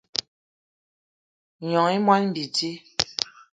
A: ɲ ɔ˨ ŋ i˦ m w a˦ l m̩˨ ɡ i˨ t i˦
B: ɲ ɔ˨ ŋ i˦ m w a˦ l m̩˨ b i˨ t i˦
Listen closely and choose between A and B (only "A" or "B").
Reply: B